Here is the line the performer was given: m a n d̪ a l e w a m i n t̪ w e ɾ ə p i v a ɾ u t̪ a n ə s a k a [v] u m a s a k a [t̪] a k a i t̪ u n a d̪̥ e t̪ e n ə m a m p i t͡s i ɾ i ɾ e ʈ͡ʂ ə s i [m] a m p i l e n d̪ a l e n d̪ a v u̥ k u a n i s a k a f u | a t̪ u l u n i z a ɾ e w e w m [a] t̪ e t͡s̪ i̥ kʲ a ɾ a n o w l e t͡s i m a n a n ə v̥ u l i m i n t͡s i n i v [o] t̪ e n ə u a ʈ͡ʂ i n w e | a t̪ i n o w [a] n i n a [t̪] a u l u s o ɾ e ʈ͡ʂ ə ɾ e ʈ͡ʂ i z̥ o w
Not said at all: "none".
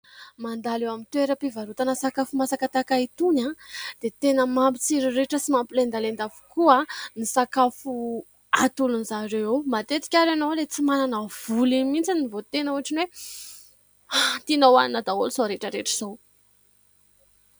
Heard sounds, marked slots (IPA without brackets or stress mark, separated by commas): f, t̪, m, a, o, a, d̪